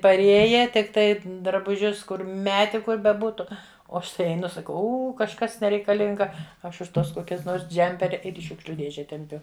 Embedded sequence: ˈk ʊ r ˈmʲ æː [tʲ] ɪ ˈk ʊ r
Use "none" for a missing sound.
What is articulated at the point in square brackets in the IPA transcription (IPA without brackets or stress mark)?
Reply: tʲ